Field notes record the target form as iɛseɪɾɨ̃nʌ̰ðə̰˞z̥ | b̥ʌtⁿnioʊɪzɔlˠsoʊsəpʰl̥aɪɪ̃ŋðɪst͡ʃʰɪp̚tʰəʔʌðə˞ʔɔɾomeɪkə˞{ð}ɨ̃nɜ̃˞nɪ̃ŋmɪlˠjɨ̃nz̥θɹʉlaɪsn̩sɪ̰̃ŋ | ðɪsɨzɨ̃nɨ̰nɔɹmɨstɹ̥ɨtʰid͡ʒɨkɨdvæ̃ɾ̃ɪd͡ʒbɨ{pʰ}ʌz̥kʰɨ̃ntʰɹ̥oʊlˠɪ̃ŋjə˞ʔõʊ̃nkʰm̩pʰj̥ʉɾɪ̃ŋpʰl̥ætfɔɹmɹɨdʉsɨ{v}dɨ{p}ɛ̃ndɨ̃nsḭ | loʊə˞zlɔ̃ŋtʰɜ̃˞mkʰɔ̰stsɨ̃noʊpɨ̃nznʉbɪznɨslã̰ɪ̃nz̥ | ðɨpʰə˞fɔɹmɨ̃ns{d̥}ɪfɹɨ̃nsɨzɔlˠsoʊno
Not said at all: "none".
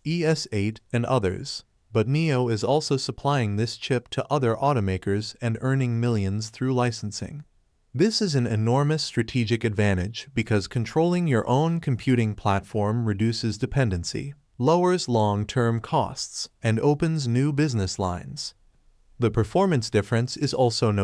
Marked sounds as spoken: z, kʰ, z, pʰ, d̥

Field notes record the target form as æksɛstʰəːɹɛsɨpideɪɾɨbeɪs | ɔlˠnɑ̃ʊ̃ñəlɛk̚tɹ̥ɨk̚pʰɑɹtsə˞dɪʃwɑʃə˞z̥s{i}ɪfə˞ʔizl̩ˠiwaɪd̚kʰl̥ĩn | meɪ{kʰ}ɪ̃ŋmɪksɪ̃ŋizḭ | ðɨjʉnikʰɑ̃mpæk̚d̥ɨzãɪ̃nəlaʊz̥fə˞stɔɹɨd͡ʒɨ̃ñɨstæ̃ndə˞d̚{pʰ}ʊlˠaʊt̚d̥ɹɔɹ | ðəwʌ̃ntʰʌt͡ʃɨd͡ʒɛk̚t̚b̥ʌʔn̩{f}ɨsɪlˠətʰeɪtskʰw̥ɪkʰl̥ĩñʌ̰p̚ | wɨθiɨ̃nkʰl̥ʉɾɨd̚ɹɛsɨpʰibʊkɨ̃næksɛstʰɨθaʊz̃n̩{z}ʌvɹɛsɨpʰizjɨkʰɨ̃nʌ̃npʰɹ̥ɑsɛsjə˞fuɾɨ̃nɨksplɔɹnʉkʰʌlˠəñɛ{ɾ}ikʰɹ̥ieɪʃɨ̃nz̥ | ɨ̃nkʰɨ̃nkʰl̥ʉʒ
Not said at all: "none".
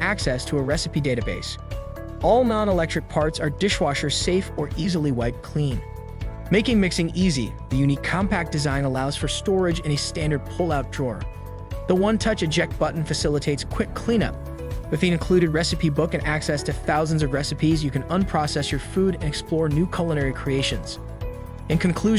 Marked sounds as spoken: e, k, pʰ, f, z, ɹ

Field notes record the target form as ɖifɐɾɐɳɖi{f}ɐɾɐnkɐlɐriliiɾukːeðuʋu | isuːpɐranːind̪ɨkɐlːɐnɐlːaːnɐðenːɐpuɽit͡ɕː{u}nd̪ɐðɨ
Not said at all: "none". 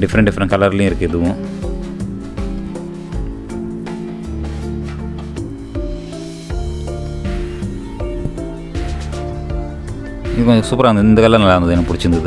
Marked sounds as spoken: f, u

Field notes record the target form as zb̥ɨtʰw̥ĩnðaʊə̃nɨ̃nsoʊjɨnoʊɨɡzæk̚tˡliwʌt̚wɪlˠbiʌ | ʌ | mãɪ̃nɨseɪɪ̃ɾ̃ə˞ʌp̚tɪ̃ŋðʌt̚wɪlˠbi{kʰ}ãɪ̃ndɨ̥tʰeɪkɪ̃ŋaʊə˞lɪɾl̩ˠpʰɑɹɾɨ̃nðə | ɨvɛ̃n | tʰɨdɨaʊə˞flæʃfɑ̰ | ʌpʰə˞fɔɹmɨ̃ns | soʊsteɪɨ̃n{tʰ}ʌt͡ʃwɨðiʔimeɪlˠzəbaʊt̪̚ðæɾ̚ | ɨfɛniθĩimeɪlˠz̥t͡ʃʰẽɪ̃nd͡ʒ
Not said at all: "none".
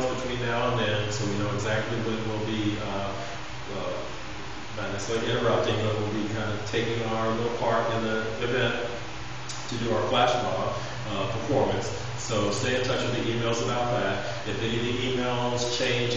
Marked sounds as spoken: kʰ, tʰ

